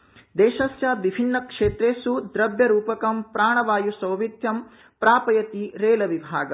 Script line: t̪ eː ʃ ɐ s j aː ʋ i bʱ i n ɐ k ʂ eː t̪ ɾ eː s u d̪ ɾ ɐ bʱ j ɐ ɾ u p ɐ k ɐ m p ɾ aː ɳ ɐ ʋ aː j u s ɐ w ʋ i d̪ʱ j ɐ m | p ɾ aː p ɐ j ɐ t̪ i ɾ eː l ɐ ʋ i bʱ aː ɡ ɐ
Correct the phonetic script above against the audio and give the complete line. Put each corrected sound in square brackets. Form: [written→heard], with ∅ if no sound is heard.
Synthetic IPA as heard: [t̪→d̪] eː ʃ ɐ s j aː ʋ i bʱ i [n→nː] ɐ k ʂ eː t̪ ɾ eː s u d̪ ɾ ɐ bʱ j ɐ ɾ [u→uː] p ɐ k ɐ m p ɾ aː ɳ ɐ ʋ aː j u s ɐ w ʋ i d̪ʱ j ɐ m | p ɾ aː p ɐ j ɐ t̪ i ɾ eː l ɐ ʋ i bʱ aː ɡ ɐ